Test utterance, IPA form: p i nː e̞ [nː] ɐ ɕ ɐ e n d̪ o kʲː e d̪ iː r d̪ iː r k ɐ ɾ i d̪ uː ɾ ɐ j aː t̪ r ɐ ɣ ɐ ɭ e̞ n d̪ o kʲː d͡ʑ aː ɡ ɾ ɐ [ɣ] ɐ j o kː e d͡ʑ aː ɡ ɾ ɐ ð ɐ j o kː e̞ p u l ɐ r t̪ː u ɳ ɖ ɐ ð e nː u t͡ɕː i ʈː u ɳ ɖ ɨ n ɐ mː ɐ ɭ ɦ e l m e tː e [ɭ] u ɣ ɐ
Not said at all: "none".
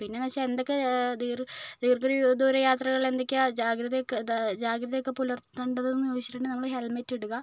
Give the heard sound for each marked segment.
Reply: n, ð, ɽ

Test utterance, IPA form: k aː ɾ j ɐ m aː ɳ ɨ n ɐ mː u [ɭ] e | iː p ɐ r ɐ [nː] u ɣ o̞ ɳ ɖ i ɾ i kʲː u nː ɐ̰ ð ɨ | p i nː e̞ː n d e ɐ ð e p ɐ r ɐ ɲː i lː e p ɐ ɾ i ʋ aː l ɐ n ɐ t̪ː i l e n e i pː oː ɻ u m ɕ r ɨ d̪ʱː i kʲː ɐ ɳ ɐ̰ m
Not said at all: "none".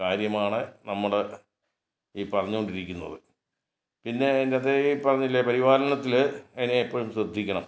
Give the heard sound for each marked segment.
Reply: ɽ, ɲː

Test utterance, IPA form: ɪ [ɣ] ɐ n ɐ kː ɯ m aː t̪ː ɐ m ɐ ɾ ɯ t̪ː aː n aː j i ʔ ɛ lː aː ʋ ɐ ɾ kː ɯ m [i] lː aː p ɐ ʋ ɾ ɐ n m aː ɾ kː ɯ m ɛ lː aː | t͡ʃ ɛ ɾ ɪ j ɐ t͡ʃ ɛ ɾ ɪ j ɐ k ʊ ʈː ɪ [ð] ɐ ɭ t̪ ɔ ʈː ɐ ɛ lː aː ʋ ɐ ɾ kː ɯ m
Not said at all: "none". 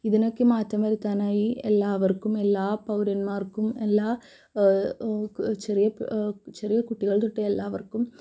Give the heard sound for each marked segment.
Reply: ð, ɛ, ɣ

